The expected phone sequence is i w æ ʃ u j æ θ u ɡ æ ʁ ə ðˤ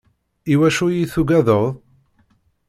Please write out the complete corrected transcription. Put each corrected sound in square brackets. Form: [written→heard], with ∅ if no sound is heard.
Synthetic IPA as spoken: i w æ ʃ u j [æ→i] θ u ɡ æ [ʁ→ð] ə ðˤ